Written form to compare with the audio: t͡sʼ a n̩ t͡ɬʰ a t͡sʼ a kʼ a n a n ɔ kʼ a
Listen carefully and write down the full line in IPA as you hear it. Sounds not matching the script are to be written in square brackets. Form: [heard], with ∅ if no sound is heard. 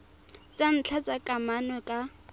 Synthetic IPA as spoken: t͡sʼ a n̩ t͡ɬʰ a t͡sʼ a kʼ a [m] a n ɔ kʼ a